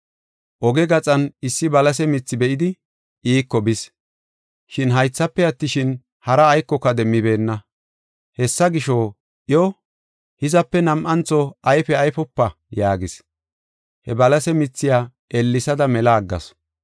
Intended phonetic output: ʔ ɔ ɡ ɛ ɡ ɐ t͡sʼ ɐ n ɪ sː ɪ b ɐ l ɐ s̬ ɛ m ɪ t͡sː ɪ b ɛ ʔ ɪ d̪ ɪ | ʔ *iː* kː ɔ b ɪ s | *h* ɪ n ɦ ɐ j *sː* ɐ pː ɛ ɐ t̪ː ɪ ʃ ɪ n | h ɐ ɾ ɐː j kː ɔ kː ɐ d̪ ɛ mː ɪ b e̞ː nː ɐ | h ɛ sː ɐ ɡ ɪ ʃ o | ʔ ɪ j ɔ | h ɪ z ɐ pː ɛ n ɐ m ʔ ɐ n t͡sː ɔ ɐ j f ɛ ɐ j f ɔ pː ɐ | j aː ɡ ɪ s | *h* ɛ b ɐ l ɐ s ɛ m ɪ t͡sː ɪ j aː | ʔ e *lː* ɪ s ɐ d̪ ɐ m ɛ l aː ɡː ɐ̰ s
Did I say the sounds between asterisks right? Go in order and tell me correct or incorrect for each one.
correct, incorrect, incorrect, correct, correct

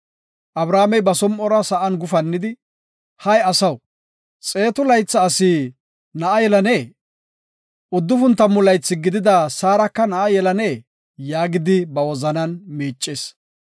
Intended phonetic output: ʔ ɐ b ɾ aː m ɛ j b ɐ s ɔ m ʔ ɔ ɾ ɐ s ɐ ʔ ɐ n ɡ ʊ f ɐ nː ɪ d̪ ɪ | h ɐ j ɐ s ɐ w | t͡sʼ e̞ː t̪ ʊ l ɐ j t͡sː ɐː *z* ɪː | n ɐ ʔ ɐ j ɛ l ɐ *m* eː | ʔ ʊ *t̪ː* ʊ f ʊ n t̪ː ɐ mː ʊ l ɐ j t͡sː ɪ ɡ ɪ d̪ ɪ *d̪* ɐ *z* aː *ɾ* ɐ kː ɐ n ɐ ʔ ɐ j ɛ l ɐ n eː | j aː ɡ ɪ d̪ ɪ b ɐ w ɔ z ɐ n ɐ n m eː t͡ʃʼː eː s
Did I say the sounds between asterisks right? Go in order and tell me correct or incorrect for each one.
incorrect, incorrect, incorrect, correct, incorrect, correct

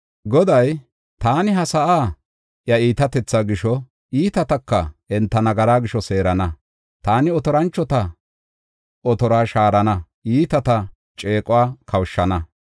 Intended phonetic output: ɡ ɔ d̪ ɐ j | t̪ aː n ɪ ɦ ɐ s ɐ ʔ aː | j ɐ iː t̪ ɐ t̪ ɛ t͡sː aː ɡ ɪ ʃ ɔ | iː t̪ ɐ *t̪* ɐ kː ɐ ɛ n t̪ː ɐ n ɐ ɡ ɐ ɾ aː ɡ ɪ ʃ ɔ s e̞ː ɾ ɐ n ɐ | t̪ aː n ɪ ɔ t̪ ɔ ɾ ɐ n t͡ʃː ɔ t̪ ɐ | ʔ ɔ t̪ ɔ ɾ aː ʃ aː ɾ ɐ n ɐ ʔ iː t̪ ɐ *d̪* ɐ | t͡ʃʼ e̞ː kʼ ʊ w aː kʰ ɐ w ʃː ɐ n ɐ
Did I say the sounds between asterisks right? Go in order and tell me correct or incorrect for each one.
correct, incorrect

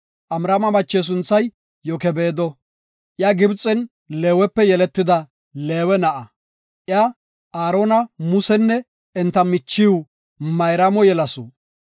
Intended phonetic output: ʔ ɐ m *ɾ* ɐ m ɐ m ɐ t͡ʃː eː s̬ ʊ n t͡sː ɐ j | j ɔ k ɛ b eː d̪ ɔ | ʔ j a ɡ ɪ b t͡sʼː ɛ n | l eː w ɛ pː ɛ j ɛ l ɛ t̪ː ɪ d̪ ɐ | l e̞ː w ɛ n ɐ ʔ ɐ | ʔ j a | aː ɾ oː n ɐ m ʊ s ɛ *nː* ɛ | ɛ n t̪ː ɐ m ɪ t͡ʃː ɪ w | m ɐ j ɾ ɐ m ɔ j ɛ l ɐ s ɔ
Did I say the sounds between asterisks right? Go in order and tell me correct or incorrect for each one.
correct, correct

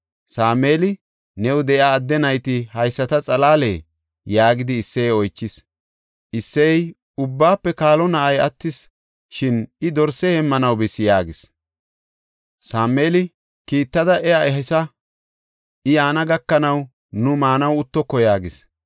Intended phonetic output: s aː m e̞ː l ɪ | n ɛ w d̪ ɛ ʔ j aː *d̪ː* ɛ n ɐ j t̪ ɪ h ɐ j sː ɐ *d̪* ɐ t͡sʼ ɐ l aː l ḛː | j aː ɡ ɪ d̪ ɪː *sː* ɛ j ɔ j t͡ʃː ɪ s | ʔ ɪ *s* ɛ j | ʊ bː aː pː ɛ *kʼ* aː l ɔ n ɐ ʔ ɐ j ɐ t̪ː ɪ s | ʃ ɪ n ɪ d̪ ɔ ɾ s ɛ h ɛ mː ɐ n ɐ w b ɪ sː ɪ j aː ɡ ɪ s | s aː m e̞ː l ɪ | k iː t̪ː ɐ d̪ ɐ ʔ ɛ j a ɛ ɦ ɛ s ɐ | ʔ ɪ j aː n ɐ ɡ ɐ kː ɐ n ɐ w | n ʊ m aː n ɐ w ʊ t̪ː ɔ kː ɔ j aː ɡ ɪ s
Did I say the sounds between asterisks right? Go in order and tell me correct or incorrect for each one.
correct, incorrect, correct, incorrect, incorrect

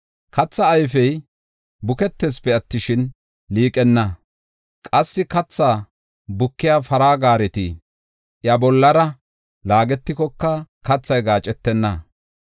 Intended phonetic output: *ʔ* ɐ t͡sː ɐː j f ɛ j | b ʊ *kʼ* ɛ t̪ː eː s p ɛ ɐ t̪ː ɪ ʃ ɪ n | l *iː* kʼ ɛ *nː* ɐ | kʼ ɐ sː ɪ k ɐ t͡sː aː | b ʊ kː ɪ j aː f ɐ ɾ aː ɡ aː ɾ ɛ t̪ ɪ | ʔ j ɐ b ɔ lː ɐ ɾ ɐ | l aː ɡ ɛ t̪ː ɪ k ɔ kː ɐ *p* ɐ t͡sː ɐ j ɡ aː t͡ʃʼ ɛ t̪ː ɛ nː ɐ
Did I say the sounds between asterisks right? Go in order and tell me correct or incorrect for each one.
incorrect, incorrect, correct, correct, incorrect

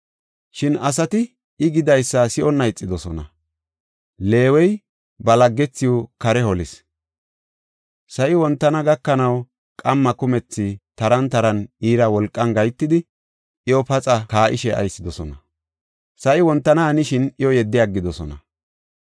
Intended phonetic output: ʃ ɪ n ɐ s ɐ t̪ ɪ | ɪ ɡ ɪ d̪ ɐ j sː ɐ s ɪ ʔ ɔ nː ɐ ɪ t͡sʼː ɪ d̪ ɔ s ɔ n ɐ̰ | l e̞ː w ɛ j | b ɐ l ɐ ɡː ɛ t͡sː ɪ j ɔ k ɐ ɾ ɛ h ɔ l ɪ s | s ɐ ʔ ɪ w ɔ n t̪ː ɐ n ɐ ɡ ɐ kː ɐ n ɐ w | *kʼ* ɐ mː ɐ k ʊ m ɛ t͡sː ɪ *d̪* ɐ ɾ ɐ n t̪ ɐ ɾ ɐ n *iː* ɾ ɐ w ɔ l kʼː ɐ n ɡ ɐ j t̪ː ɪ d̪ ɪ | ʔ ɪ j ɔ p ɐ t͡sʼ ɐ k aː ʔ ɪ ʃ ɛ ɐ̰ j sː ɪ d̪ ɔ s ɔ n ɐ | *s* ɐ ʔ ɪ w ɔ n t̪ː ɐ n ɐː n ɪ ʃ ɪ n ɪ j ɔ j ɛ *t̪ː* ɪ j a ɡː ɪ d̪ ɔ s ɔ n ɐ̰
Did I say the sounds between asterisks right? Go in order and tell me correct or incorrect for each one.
correct, incorrect, correct, correct, incorrect

